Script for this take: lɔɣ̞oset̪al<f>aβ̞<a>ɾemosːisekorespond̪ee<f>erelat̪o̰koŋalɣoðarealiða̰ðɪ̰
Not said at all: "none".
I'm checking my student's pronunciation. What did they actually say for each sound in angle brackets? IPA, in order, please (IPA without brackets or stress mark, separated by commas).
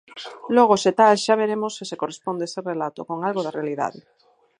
ʃ, e, s